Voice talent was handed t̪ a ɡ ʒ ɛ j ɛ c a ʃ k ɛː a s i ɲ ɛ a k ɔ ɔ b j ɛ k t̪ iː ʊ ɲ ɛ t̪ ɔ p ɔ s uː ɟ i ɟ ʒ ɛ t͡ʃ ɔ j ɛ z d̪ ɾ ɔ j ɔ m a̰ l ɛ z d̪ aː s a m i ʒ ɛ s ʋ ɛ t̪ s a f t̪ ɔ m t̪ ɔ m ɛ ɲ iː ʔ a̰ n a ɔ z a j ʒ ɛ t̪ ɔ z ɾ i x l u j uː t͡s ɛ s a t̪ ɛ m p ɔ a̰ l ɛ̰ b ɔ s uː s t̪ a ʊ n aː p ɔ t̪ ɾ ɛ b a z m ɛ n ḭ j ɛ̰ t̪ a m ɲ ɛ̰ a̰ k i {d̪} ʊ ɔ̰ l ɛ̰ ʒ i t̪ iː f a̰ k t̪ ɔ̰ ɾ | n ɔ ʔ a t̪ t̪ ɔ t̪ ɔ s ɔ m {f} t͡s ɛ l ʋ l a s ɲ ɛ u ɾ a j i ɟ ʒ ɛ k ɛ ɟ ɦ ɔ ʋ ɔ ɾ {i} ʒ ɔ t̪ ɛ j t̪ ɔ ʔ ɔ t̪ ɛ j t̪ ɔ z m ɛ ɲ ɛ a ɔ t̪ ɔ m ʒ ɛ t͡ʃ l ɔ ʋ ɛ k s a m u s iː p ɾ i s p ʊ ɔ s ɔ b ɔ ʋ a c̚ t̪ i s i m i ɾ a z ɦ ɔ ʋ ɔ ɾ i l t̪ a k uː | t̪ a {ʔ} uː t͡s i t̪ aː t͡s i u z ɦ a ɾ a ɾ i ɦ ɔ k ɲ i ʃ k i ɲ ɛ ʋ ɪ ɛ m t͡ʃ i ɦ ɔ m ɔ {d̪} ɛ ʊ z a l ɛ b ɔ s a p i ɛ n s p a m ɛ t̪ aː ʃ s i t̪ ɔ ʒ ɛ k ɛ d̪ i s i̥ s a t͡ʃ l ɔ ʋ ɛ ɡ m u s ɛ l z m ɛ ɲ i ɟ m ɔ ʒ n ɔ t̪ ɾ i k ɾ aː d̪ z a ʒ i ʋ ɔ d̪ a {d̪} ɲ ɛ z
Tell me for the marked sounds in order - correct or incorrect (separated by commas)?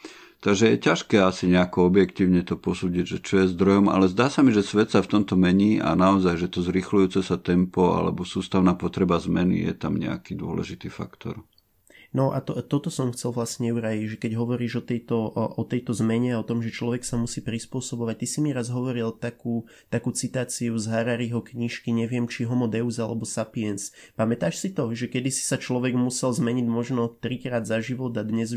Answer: correct, incorrect, incorrect, incorrect, correct, correct